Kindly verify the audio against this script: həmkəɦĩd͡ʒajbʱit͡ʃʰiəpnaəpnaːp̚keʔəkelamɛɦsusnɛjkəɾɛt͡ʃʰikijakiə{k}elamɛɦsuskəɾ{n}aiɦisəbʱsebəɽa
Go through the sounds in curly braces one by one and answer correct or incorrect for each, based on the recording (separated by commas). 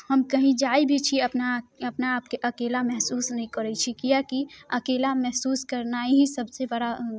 correct, correct